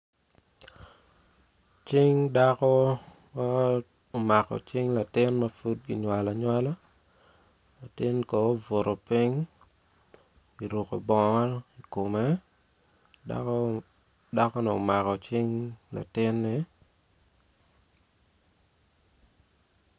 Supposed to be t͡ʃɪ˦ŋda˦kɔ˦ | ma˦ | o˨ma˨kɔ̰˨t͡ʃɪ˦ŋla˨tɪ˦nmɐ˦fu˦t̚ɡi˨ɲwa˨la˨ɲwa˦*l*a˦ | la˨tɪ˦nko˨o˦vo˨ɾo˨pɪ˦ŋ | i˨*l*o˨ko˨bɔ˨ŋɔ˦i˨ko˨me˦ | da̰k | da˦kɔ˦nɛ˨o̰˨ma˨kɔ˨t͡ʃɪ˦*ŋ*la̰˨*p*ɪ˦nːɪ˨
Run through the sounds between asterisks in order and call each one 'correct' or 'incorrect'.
correct, incorrect: ɾ, correct, incorrect: t

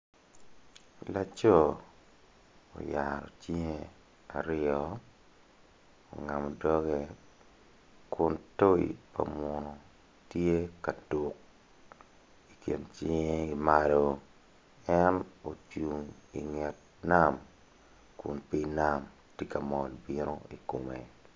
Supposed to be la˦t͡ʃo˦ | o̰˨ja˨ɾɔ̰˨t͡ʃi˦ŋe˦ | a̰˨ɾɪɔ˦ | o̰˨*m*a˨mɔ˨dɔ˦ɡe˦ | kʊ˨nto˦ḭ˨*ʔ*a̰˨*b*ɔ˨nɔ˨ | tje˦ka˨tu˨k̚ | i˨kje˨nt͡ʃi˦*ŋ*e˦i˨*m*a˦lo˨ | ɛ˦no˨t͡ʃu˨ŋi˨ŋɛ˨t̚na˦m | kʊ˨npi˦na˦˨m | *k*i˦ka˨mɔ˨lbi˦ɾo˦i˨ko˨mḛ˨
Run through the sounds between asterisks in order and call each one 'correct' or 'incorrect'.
incorrect: ŋ, incorrect: p, incorrect: m, correct, correct, incorrect: t

